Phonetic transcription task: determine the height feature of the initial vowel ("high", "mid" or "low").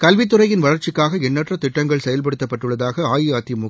low